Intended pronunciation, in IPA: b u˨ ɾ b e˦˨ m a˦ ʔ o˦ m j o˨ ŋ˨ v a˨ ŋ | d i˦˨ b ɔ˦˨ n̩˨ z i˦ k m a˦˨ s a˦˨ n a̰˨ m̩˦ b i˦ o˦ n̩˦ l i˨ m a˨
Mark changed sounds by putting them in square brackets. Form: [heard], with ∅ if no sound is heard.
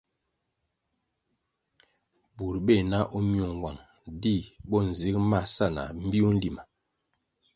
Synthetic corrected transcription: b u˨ ɾ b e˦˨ [n] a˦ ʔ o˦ m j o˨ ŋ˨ [w] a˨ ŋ | d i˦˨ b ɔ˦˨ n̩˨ z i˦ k m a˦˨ s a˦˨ n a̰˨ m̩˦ b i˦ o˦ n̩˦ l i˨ m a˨